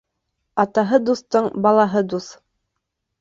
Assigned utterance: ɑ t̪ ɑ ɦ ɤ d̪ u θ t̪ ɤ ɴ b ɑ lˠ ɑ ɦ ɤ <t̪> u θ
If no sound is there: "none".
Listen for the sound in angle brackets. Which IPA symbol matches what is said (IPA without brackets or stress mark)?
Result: d̪